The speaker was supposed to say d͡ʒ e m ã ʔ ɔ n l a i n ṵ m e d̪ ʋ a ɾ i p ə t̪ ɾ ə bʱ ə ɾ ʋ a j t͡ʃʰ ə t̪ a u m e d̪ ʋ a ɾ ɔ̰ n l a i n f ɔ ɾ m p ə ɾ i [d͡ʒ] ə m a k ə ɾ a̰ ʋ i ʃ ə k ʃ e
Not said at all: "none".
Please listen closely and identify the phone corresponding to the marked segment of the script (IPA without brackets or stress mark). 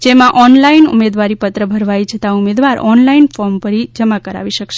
d͡ʒ